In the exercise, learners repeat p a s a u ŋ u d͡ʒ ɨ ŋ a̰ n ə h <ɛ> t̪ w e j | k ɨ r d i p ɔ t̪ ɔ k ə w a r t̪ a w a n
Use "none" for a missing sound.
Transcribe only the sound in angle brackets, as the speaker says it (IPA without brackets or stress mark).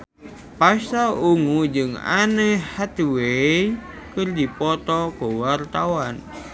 a